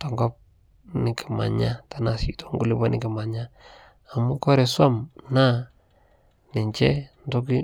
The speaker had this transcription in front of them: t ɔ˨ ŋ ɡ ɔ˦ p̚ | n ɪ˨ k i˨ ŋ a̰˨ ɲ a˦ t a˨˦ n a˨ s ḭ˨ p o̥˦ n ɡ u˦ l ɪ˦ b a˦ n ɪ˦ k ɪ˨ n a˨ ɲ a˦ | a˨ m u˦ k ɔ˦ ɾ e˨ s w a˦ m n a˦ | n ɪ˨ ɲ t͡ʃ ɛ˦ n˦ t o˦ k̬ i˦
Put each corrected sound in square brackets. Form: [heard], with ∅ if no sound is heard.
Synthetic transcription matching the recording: t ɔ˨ ŋ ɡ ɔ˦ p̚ | n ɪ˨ k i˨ [m] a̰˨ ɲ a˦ t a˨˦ n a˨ s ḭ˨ [t] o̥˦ [ŋ] ɡ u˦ l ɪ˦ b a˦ n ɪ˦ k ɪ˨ [m] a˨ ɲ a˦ | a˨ m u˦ k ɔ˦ ɾ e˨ s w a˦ m n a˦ | n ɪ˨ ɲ t͡ʃ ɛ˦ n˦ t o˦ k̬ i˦